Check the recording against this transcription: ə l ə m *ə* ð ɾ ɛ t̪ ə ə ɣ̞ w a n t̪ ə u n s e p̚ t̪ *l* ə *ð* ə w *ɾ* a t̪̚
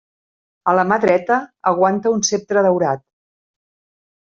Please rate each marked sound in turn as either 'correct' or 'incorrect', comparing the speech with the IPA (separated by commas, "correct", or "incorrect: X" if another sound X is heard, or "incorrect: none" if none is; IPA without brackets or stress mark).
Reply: incorrect: a, incorrect: ɾ, correct, correct